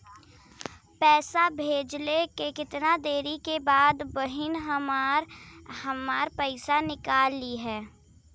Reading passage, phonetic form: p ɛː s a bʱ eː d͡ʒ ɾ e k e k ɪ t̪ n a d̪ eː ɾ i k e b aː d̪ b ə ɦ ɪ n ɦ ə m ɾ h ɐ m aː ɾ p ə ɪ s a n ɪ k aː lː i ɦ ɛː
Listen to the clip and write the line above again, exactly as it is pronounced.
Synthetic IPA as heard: p ɛː s a bʱ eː d͡ʒ l e k e k ɪ t̪ n a d̪ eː ɾ i k e b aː d̪ b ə ɦ ɪ n ɦ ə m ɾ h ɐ m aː ɾ p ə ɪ s a n ɪ k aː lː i ɦ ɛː